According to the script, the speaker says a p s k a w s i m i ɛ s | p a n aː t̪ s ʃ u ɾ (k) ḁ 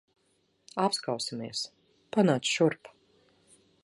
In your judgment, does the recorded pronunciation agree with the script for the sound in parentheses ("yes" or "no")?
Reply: no